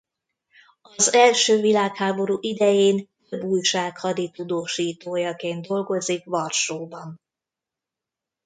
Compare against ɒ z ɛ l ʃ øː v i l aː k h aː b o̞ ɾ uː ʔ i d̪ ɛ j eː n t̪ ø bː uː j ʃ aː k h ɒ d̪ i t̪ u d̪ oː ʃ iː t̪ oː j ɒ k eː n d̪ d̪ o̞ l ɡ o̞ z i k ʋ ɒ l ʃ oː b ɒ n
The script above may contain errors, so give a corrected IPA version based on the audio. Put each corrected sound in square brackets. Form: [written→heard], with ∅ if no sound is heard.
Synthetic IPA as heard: ɒ z ɛ l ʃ øː v i l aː k h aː b o̞ ɾ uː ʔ i d̪ ɛ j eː n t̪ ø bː uː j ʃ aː k h ɒ d̪ i t̪ u d̪ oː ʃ iː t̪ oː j ɒ k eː n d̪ d̪ o̞ l ɡ o̞ z i k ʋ ɒ [l→r] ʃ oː b ɒ n